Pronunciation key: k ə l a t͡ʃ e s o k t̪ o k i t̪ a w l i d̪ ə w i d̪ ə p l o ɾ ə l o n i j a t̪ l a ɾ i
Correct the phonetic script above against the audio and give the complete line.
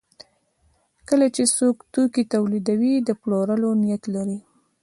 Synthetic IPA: k ə l a t͡ʃ e s o k t̪ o k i t̪ a w l i d̪ a w i d̪ ə p l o ɾ ə l o n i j a t̪ l a ɾ i